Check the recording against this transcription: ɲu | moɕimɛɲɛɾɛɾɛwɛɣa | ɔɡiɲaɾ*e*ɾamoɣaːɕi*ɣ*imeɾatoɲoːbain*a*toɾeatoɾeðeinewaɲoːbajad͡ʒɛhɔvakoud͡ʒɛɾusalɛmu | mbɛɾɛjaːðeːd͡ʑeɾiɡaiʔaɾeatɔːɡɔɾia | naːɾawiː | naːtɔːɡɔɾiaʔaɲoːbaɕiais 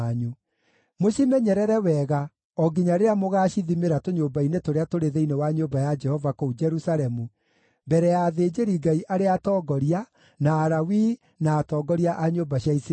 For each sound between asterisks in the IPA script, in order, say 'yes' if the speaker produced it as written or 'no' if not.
yes, no, no

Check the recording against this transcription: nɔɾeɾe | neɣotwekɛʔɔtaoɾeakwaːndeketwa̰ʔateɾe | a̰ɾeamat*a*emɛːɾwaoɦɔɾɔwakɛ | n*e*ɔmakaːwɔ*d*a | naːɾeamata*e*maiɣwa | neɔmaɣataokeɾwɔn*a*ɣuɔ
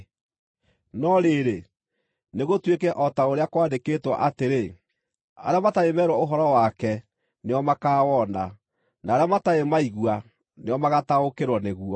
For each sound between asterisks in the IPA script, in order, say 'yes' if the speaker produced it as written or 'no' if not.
yes, yes, no, yes, no

